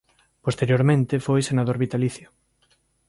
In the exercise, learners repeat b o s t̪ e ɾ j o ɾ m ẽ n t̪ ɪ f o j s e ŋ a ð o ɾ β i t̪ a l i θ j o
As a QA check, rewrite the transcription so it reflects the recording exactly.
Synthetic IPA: p o s t̪ e ɾ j o ɾ m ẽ n t̪ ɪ f o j s e n a ð o ɾ β i t̪ a l i θ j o